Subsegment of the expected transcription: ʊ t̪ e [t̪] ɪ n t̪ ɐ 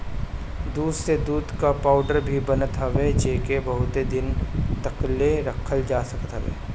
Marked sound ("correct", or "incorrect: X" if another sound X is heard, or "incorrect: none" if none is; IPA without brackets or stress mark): incorrect: d̪